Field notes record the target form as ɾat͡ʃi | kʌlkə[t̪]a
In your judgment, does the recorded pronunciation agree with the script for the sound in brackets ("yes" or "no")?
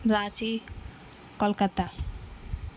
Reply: yes